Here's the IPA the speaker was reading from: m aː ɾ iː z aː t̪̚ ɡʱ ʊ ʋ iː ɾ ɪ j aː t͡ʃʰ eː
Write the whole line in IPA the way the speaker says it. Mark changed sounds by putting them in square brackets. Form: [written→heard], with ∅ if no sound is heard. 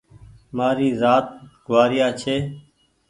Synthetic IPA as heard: m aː ɾ iː z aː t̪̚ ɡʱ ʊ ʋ [iː→aː] ɾ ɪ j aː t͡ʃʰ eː